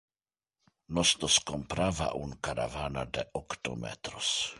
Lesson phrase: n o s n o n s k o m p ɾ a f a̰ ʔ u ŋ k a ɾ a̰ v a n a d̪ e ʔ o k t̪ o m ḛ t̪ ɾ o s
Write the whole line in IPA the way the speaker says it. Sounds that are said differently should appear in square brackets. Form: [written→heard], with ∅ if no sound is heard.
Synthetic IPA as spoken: n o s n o [n→∅] s k o m p ɾ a [f→v] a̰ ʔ u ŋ k a ɾ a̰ v a n a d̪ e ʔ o k t̪ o m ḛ t̪ ɾ o s